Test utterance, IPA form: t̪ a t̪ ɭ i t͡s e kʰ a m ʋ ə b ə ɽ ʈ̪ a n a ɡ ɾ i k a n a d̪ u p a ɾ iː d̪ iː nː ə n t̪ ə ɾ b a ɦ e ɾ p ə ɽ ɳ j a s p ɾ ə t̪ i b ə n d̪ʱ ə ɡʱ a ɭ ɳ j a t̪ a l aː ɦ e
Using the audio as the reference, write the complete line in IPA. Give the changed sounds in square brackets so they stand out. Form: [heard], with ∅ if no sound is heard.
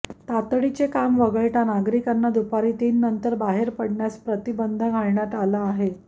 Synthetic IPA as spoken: t̪ a t̪ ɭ i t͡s e [k] a m ʋ ə [ɡ] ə [ɭ] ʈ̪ a n a ɡ ɾ i k a [nː] a d̪ u p a ɾ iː [t̪] iː nː ə n t̪ ə ɾ b a ɦ e ɾ p ə ɽ ɳ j a s p ɾ ə t̪ i b ə n d̪ʱ ə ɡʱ a ɭ ɳ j a t̪ a l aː ɦ e